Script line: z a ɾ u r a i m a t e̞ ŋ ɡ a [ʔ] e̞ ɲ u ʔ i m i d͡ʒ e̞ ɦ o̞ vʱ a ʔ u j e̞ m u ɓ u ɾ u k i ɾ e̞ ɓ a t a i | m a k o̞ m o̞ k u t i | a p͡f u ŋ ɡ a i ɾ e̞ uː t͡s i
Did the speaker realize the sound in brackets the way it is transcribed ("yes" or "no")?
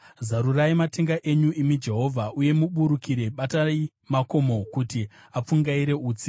yes